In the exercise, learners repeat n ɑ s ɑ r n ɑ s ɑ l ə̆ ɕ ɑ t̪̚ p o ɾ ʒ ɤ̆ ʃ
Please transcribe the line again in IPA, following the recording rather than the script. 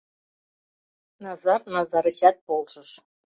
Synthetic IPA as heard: n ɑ z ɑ r n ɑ z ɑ ɾ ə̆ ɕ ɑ t̪̚ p o l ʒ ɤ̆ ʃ